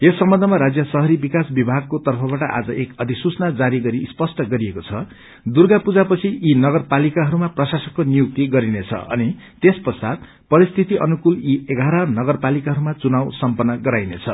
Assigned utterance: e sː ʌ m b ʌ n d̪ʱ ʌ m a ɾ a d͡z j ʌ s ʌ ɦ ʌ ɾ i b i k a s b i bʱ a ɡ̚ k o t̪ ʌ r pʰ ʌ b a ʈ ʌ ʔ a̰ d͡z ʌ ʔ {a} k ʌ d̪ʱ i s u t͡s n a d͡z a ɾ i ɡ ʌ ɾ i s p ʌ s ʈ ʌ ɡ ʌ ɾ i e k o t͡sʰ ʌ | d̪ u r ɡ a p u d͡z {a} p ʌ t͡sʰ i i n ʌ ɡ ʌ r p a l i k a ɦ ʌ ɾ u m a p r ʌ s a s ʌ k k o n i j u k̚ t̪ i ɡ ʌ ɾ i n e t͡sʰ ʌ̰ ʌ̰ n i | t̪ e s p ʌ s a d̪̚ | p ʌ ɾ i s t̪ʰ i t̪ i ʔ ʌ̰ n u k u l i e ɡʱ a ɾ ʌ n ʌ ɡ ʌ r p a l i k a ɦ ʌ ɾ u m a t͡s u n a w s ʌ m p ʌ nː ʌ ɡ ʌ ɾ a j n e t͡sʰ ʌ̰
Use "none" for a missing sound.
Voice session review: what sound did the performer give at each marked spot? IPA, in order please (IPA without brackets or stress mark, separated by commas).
e, a